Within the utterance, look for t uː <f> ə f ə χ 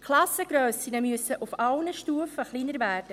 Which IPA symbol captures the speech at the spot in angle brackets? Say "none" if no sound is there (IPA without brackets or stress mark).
none